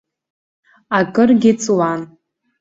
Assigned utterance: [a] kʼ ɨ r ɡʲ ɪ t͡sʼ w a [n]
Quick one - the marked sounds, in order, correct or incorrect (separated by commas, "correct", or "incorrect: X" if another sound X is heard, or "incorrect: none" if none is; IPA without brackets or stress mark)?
correct, correct